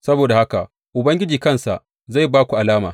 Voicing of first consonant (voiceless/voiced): voiceless